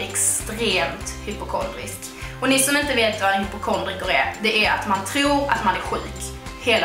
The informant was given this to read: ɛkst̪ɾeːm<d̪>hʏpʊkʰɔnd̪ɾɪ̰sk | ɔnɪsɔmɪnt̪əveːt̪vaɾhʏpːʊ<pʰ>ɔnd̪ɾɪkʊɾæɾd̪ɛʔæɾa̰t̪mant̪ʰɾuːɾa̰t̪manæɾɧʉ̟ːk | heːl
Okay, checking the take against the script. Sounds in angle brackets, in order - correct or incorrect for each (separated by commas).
incorrect, incorrect